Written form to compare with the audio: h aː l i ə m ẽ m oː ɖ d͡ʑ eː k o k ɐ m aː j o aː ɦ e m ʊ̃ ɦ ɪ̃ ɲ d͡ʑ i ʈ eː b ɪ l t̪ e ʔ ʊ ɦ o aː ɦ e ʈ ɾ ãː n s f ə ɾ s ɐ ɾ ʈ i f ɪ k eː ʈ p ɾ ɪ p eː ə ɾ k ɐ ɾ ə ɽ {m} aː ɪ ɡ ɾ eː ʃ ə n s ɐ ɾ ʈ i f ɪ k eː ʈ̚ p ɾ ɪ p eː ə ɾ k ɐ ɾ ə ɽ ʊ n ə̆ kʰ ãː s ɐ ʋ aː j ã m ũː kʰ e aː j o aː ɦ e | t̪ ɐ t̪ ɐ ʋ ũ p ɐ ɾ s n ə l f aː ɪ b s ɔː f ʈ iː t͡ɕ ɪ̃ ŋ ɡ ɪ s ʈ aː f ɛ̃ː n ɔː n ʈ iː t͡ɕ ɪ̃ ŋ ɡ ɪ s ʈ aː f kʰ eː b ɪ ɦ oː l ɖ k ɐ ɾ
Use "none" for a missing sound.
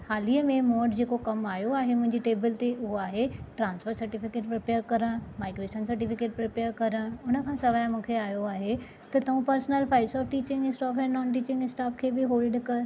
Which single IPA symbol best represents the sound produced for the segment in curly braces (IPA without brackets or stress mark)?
m